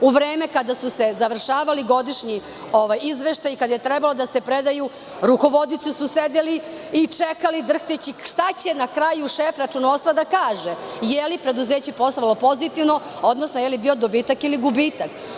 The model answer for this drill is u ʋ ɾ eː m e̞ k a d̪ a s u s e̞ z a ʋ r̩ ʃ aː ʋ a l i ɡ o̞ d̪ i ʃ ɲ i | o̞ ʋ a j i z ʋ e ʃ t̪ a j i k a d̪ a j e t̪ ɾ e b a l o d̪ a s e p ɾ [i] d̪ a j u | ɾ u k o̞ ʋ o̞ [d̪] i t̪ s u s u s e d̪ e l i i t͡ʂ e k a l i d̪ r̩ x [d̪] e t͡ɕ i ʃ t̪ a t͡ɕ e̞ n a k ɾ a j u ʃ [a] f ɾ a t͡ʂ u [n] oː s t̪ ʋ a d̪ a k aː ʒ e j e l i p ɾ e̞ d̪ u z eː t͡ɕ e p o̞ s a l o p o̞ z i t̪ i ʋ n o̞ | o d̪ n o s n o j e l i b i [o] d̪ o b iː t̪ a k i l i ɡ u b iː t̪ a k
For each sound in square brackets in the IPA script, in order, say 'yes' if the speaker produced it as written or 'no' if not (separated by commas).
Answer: no, yes, no, no, yes, yes